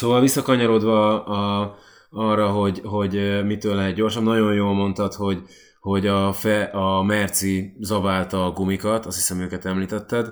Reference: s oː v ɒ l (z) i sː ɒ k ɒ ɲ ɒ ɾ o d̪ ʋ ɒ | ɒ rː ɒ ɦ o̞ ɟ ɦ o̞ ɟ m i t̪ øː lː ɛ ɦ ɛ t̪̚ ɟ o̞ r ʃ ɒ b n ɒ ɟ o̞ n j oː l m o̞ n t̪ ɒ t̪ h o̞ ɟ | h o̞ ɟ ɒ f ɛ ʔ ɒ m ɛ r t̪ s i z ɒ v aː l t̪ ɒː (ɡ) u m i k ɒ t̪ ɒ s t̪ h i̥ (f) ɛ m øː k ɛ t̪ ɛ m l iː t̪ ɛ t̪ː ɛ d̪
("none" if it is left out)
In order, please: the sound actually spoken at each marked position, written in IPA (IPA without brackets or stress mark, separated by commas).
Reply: v, ɡ, s